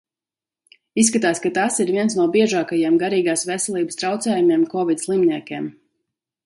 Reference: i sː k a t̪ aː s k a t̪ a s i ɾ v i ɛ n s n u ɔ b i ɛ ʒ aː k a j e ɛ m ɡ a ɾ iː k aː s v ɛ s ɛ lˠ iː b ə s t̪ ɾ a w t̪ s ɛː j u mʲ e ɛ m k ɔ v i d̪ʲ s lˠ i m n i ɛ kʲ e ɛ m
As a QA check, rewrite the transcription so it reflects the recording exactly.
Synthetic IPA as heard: i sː k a t̪ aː s k a t̪ a s i ɾ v i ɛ n s n u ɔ b i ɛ ʒ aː k a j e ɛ m ɡ a ɾ iː ɡ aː s v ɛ s ɛ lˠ iː b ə s t̪ ɾ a w t̪ s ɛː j u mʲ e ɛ m k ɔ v i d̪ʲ s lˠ i m n i ɛ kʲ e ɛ m